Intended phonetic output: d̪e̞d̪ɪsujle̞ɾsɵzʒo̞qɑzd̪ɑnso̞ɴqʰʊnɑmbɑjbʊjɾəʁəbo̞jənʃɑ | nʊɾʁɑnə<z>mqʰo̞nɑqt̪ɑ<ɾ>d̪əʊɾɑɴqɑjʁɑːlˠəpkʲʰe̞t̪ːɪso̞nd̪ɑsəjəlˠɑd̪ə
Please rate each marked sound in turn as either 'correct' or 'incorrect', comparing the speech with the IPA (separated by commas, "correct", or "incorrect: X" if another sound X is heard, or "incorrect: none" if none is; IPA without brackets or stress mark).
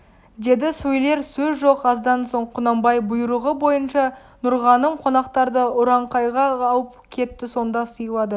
incorrect: none, correct